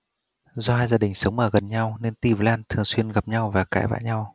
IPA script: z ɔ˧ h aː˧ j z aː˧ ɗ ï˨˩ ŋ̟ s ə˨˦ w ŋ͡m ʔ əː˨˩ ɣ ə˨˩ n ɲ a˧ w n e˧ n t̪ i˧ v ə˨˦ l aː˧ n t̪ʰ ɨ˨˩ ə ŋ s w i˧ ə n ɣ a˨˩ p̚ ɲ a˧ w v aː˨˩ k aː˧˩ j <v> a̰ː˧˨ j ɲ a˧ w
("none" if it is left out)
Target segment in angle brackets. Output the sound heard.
v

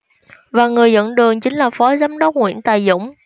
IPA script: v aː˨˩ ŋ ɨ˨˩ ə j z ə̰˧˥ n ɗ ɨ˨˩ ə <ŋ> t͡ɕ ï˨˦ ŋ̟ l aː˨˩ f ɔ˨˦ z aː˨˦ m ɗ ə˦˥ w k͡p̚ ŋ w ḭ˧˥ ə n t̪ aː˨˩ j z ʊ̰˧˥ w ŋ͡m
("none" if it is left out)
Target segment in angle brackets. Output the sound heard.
ŋ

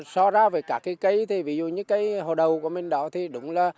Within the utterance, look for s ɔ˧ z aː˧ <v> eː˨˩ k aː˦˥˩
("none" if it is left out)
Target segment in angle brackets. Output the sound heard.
v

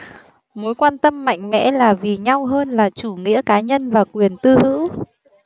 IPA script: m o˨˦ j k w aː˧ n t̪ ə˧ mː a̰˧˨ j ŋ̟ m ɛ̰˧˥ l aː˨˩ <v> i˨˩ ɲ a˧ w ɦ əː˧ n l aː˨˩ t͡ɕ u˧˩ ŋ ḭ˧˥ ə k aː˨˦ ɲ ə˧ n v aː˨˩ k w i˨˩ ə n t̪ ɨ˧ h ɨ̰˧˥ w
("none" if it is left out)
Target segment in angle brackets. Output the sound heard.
v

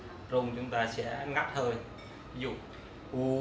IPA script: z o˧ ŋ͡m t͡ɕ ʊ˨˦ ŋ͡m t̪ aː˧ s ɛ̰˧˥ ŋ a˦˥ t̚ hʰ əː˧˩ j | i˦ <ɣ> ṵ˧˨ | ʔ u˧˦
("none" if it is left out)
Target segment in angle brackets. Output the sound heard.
z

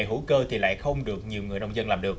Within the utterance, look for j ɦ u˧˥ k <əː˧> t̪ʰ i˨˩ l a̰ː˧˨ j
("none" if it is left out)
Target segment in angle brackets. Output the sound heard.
əː˧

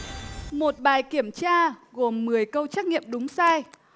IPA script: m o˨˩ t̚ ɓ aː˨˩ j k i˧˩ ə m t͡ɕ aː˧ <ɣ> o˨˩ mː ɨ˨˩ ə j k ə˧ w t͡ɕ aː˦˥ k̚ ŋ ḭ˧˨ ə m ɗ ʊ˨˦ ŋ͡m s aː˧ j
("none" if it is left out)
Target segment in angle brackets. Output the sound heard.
ɣ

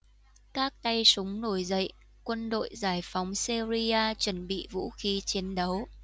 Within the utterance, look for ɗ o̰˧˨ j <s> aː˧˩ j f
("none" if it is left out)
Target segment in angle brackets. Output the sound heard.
z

